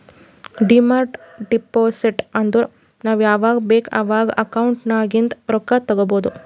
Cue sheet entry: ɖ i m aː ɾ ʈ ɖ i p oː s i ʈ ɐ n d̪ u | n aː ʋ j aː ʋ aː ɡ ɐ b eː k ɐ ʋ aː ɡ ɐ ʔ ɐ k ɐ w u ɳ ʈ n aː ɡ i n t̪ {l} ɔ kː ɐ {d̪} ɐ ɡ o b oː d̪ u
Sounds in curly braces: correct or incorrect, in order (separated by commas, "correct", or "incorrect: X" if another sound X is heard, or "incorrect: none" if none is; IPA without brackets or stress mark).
incorrect: ɾ, incorrect: t̪